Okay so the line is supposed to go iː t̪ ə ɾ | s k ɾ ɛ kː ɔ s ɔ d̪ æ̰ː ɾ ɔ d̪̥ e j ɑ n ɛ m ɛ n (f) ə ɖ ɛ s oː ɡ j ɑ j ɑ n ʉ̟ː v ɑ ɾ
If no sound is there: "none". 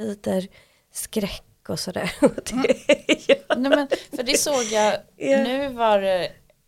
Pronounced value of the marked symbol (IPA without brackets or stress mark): f